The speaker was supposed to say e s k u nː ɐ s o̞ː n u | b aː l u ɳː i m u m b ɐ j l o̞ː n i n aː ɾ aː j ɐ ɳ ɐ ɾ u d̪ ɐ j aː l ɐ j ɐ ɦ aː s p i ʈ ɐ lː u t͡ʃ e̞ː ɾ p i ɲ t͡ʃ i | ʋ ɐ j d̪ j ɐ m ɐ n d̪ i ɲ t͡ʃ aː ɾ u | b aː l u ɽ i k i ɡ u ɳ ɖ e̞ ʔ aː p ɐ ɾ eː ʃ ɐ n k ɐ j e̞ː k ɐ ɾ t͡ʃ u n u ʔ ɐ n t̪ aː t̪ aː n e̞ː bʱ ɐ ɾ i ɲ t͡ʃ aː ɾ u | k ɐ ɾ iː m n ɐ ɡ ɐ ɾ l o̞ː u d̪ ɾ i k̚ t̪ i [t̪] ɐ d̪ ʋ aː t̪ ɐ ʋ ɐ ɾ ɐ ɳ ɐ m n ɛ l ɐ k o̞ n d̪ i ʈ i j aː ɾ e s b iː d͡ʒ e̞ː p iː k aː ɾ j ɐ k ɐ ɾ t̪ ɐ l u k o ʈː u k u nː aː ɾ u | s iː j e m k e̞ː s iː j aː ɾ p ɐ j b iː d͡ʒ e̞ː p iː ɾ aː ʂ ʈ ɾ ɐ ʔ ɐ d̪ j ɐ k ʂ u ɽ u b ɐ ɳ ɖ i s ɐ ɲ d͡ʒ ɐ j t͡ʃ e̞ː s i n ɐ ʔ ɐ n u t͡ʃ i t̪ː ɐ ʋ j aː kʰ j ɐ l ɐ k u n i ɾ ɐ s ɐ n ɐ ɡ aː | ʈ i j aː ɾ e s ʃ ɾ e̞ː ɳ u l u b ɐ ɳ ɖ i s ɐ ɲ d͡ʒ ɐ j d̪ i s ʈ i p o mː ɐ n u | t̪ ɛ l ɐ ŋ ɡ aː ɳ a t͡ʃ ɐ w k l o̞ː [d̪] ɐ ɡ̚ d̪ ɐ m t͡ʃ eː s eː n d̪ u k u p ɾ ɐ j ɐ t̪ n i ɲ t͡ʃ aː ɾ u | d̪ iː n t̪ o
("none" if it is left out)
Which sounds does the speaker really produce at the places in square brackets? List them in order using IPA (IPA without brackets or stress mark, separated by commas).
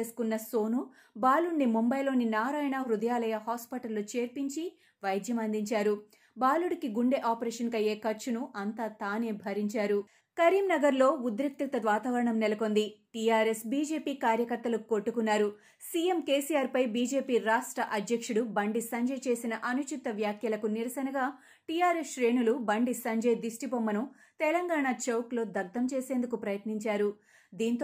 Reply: t̪, d̪